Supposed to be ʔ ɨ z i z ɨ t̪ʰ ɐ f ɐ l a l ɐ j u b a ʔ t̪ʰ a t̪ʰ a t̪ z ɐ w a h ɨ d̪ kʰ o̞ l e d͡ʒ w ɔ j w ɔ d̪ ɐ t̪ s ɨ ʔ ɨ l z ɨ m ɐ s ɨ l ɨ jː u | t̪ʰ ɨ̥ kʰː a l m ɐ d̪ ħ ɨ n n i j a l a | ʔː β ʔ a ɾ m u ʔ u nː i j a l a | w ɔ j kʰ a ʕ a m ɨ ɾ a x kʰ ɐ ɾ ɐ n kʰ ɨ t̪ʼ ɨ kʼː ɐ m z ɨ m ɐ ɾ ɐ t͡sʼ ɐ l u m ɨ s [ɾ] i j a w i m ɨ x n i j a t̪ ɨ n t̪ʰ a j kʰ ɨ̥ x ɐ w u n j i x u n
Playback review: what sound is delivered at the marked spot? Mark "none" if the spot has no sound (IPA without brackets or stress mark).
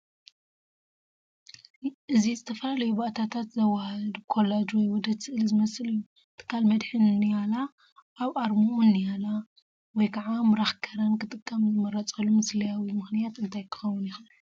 l